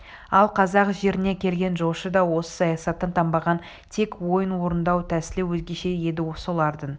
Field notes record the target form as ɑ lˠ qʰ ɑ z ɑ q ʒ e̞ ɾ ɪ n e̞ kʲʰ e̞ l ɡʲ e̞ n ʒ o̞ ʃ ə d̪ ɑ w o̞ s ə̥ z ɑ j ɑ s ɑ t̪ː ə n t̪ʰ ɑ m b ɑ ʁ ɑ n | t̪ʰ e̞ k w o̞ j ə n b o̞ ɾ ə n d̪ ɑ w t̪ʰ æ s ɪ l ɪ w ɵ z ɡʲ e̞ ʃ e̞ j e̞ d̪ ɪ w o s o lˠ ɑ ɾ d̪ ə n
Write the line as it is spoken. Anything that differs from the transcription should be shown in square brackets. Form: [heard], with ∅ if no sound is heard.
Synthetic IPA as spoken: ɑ lˠ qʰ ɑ z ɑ q ʒ e̞ ɾ ɪ n e̞ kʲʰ e̞ l ɡʲ e̞ n ʒ o̞ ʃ ə d̪ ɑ w o̞ s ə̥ [s] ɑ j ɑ s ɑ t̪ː ə n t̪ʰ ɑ m b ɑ ʁ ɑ n | t̪ʰ e̞ k w o̞ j ə n [w] o̞ ɾ ə n d̪ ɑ w t̪ʰ æ s ɪ l ɪ w ɵ z ɡʲ e̞ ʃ e̞ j e̞ d̪ ɪ w o s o lˠ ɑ ɾ d̪ ə n